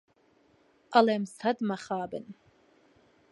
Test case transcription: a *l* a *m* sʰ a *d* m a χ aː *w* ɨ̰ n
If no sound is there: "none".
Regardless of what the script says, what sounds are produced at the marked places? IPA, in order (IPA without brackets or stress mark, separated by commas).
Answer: l, m, d, b